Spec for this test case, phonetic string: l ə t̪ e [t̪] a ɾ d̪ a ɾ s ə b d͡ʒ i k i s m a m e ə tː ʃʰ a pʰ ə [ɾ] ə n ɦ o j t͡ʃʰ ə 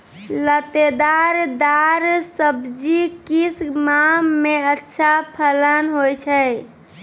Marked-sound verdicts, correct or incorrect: incorrect: d̪, incorrect: l

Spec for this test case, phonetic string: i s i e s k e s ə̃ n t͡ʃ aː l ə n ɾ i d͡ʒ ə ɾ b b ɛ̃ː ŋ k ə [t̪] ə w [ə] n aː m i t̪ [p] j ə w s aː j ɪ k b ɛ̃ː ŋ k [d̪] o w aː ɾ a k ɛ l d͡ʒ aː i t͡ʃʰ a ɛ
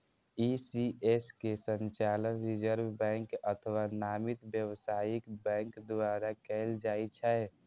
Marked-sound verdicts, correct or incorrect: incorrect: t̪ʰ, incorrect: a, incorrect: b, correct

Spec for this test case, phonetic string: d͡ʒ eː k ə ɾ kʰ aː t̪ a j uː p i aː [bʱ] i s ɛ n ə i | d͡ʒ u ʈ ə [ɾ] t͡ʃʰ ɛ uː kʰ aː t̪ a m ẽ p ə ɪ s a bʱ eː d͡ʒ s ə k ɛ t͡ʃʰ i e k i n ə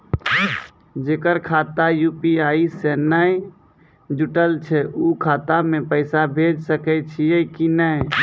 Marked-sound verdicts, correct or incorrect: incorrect: none, incorrect: l

